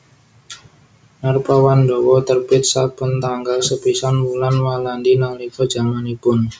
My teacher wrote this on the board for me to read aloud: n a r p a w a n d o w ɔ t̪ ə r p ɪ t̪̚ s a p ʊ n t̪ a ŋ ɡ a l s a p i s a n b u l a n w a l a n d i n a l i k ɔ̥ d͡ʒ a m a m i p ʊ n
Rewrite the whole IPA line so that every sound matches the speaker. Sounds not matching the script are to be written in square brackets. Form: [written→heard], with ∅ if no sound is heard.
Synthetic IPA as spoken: n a r p a w a n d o w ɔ t̪ ə r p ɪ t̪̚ s a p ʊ n t̪ a ŋ ɡ a l s [a→ə] p i s a n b u l a n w a l a n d i n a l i k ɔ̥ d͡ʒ a m a [m→n] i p ʊ n